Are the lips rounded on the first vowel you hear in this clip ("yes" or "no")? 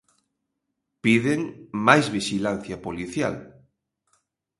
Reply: no